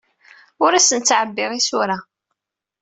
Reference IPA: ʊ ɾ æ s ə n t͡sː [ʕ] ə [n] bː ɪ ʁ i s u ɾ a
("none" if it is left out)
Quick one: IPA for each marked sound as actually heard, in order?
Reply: ʕ, none

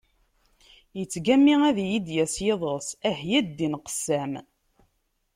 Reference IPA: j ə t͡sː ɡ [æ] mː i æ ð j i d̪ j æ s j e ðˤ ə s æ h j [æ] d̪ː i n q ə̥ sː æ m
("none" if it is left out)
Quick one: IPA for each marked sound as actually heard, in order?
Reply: æ, æ

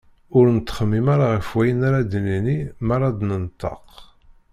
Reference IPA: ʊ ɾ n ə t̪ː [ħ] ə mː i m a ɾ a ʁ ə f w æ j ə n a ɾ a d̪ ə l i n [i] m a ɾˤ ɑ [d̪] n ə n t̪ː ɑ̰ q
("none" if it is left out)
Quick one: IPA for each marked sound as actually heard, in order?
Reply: χ, i, d̪

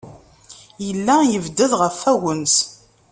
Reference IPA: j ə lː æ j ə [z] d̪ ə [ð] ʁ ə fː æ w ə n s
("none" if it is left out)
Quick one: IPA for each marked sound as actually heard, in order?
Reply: v, ð

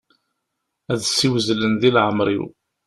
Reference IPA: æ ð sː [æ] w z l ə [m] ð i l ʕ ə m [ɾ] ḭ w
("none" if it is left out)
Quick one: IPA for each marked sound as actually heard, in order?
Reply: i, n, ɾ

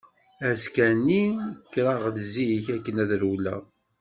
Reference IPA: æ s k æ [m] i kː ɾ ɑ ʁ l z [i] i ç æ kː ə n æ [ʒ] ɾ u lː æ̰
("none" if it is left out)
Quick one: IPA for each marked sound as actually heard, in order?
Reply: n, i, ð

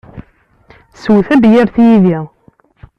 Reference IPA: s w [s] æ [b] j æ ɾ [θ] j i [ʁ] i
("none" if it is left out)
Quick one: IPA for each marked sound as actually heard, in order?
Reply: θ, b, θ, ð

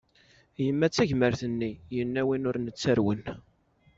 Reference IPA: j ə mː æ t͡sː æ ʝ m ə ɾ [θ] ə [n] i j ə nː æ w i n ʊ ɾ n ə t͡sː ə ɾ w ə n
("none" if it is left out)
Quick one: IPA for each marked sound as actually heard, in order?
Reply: θ, nː

